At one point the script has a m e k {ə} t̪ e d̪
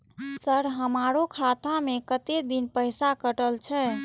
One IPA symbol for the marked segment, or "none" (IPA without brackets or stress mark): ə